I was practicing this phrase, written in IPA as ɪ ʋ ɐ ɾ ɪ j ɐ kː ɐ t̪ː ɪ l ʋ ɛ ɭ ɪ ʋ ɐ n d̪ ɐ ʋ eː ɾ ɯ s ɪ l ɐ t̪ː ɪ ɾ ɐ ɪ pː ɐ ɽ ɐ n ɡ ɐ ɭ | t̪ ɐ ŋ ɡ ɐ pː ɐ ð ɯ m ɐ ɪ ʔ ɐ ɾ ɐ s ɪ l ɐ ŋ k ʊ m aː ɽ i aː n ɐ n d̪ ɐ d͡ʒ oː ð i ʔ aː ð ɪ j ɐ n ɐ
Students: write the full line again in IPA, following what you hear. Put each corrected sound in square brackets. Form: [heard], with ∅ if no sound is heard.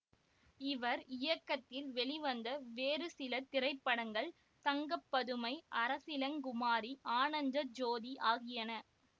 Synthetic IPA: ɪ ʋ ɐ ɾ ɪ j ɐ kː ɐ t̪ː ɪ l ʋ ɛ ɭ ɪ ʋ ɐ n d̪ ɐ ʋ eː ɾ ɯ s ɪ l ɐ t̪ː ɪ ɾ ɐ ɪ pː ɐ ɽ ɐ [ŋ] ɡ ɐ ɭ | t̪ ɐ ŋ ɡ ɐ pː ɐ ð ɯ m ɐ ɪ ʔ ɐ ɾ ɐ s ɪ l ɐ ŋ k ʊ m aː [ɾ] i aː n ɐ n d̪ ɐ d͡ʒ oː ð i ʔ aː [ɣ] ɪ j ɐ n ɐ